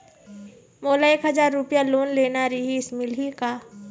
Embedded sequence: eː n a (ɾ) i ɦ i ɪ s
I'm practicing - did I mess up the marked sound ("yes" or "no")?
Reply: no